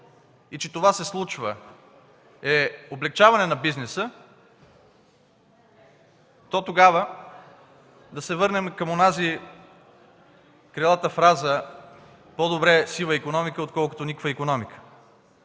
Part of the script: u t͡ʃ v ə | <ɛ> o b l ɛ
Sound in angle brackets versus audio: correct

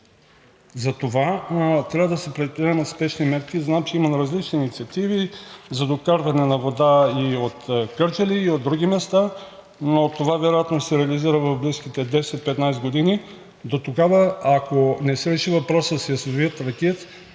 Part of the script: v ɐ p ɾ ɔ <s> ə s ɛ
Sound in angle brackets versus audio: correct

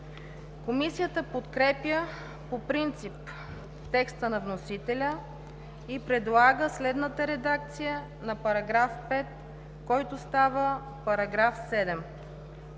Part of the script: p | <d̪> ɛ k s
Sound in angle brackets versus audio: incorrect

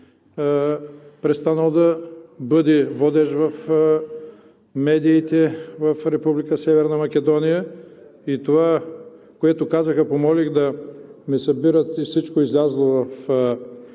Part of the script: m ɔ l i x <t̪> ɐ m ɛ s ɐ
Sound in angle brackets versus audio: incorrect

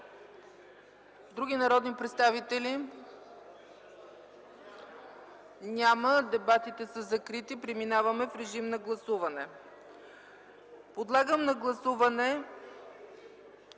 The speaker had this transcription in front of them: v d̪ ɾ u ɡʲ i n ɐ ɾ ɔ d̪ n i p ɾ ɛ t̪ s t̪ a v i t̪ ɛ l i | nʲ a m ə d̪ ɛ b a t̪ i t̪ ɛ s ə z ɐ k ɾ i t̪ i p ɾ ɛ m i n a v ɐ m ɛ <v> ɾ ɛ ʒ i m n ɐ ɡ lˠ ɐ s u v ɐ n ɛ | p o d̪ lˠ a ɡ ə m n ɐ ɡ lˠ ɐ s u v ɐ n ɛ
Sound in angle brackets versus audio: incorrect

